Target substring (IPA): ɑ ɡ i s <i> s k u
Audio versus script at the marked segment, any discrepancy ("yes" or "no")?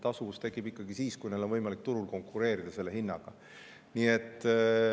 yes